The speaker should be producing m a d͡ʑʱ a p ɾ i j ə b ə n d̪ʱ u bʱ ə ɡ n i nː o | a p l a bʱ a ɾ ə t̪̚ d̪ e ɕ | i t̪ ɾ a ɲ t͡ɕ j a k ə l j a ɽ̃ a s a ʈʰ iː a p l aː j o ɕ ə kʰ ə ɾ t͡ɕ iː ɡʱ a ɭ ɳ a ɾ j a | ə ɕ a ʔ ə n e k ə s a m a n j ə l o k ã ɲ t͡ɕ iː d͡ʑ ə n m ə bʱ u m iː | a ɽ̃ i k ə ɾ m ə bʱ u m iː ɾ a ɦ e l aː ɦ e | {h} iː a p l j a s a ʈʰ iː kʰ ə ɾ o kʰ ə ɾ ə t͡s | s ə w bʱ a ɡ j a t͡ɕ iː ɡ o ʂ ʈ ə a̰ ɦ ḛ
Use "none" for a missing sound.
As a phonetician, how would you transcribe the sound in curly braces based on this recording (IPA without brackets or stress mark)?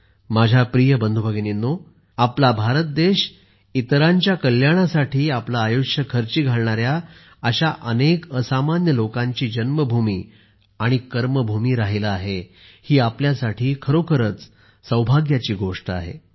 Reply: h